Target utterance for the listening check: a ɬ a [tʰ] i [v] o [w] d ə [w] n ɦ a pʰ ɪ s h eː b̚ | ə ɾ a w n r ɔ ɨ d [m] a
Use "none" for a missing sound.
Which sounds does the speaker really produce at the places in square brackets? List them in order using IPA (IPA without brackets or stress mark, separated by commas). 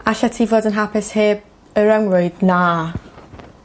tʰ, v, none, none, n